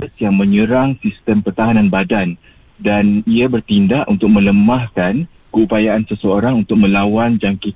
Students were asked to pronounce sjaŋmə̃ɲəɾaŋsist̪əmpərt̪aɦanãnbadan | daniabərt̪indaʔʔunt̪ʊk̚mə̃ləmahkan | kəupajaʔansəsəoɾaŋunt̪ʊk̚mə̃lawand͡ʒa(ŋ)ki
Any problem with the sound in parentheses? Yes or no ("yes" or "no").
no